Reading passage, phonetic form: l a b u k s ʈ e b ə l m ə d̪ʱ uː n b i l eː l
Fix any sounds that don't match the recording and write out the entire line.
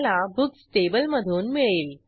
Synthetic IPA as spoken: l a b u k s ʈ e b ə l m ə d̪ʱ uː n m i ɭ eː l

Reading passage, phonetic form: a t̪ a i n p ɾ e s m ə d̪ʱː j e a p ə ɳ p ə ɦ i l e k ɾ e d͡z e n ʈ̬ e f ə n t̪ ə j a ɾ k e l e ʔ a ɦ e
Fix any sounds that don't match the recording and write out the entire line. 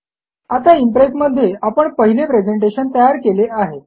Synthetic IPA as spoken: a t̪ a i m p ɾ e s m ə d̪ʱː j e a p ə ɳ p ə ɦ i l e p ɾ e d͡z e ɳ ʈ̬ e ɕ ə n t̪ ə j a ɾ k e l e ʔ a ɦ e

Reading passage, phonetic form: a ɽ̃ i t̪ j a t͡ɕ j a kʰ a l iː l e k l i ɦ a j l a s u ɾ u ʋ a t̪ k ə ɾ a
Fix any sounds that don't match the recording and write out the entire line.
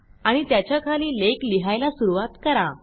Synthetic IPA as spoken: a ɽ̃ i t̪ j a t͡ɕ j a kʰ a l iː l e k l i ɦ a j l a s u ɾ u ʋ a t̪ k ə ɾ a

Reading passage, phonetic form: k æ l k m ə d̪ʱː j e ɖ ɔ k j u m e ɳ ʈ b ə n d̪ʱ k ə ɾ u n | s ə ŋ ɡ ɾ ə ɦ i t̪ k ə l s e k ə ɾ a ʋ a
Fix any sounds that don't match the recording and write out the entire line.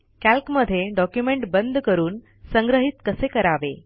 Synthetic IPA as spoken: k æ l k m ə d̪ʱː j e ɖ ɔ k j u m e ɳ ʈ b ə n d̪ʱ k ə ɾ uː n | s ə ŋ ɡ ɾ ə ɦ i t̪ k ə s e k ə ɾ a ʋ e

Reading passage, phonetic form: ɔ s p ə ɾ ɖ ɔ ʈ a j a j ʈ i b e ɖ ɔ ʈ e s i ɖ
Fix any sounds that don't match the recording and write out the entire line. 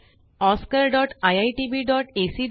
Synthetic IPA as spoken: ɔ s k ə ɾ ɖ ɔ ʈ a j a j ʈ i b i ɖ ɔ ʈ e s i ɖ

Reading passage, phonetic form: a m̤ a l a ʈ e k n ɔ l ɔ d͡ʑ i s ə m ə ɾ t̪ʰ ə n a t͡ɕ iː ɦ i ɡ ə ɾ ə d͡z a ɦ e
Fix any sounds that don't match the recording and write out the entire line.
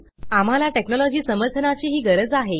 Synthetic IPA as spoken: a m̤ a l a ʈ e k n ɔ l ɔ d͡ʑ iː s ə m ə ɾ t̪ʰ ə n a t͡ɕ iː ɦ iː ɡ ə ɾ ə d͡z a ɦ e

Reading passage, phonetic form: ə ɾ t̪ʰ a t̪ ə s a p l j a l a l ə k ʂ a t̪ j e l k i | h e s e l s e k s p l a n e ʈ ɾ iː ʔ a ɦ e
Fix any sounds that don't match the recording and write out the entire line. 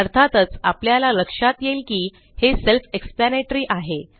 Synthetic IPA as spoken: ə ɾ t̪ʰ a t̪ ə t͡s a p l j a l a l ə k ʂ a t̪ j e l k iː | h e s e l f e k s p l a n e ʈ ɾ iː ʔ a ɦ e

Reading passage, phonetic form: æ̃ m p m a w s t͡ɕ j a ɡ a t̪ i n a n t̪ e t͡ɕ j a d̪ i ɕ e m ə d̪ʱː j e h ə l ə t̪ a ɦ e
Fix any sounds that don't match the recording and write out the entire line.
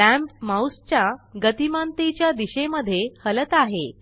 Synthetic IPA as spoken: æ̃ m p m a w s t͡ɕ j a ɡ ə t̪ i m a n t̪ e t͡ɕ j a d̪ i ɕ e m ə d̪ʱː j e h ə l ə t̪ a ɦ e

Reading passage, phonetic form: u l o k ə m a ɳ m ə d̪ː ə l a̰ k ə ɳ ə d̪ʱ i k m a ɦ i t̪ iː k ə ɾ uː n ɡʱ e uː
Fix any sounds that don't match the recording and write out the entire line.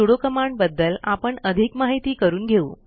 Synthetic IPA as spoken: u ɽ o k ə m a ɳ b ə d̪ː ə l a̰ p ə ɳ ə d̪ʱ i k m a ɦ i t̪ iː k ə ɾ uː n ɡʱ e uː

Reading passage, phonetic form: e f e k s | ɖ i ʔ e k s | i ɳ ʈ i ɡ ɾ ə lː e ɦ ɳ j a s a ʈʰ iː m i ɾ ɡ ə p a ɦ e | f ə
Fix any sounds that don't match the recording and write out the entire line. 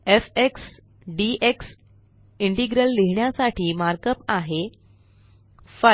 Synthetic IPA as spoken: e f e k s | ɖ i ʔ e k s | i ɳ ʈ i ɡ ɾ ə lː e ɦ ɳ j a s a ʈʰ iː m a ɾ k ə p a ɦ e | f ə

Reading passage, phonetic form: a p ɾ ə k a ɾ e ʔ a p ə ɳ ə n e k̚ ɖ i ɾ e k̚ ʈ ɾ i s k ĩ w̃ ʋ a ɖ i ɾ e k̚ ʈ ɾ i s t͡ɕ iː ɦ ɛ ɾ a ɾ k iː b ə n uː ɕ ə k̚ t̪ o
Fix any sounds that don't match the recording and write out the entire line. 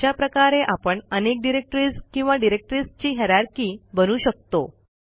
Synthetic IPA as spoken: a p ɾ ə k a ɾ e ʔ a p ə ɳ ə n e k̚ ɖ i ɾ e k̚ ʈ ɾ i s k ĩ w̃ ʋ a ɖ i ɾ e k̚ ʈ ɾ i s t͡ɕ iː ɦ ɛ ɾ a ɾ k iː b ə n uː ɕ ə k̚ t̪ o

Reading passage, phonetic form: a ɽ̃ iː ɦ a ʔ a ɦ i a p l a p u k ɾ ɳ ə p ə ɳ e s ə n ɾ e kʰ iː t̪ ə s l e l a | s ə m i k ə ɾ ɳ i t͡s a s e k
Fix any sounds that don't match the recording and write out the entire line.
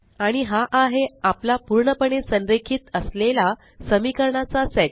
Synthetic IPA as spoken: a ɽ̃ i ɦ a ʔ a ɦ e a p l a p u ɾ ɳ ə p ə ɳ e s ə n ɾ e kʰ iː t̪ ə s l e l a | s ə m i k ə ɾ ɳ a t͡s a s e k

